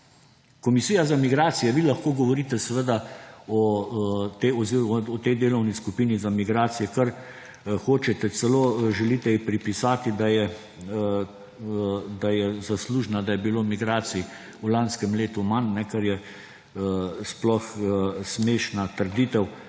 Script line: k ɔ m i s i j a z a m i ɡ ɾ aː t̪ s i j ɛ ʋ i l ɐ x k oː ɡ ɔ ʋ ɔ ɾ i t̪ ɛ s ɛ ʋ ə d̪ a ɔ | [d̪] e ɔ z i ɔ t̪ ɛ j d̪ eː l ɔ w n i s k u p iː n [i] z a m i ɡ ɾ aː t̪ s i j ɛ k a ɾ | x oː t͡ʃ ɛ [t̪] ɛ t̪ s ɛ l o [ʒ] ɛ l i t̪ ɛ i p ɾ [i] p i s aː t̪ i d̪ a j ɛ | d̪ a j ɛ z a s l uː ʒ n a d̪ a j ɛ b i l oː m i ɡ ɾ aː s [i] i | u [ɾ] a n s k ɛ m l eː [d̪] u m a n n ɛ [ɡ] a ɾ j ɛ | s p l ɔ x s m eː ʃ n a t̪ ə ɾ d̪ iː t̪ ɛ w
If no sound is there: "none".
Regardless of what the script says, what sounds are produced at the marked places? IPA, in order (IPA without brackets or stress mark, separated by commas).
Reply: t̪, i, t̪, ʒ, i, i, l, t̪, k